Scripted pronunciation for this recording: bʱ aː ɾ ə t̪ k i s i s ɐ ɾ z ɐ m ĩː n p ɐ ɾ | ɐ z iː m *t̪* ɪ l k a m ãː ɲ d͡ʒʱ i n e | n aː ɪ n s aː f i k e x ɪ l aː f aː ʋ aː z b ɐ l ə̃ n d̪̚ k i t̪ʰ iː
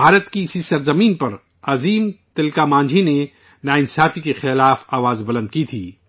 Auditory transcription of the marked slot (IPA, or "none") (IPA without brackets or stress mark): t̪